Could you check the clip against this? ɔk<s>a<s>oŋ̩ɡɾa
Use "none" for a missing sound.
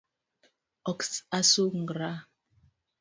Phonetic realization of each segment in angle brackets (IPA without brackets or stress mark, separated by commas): s, s